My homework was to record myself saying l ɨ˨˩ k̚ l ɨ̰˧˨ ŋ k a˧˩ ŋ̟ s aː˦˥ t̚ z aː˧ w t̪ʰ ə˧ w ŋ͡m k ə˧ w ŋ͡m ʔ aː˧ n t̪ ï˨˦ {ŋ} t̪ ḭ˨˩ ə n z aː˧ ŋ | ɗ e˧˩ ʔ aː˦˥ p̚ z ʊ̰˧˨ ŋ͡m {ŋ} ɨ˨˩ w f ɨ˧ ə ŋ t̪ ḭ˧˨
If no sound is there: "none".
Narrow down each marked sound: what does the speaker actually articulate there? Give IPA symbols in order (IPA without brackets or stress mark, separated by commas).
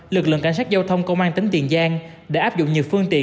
ŋ, ɲ